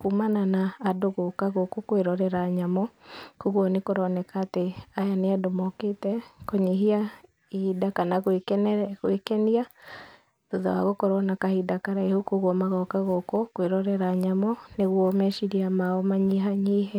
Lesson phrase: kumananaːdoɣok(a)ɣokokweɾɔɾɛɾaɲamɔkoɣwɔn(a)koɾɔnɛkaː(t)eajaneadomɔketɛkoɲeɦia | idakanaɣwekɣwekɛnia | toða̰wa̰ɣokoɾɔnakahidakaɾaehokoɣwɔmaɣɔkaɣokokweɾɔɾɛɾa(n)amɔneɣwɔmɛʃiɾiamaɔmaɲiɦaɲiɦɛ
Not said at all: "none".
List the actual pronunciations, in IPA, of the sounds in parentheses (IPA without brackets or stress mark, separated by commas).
a, e, t, ɲ